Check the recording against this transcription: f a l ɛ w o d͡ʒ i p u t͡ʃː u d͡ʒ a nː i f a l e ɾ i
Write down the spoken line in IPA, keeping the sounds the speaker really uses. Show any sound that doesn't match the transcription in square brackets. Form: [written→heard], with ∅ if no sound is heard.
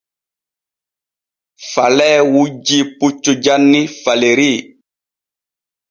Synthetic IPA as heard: f a l ɛ w [o→u] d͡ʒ i p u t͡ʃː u d͡ʒ a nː i f a l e ɾ i